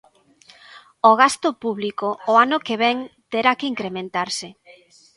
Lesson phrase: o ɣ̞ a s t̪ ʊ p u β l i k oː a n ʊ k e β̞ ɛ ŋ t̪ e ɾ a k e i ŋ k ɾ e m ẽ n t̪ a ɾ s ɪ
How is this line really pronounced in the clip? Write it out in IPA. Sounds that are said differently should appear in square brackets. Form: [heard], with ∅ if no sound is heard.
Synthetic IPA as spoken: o ɣ̞ a s t̪ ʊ p u β l i k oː a n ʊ k e β̞ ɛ ŋ t̪ e ɾ a k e i ŋ k ɾ e m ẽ n t̪ a ɾ s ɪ